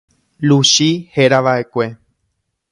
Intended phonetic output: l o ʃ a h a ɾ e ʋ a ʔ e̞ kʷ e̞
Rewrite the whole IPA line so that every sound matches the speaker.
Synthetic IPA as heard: l u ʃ i h e ɾ a ʋ a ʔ e̞ kʷ e̞